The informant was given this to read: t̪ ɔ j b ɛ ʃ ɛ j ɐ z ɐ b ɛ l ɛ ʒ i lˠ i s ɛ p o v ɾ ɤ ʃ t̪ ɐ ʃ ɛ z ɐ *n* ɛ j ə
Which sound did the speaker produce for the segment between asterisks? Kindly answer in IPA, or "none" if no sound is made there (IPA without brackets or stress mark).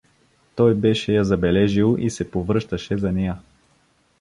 n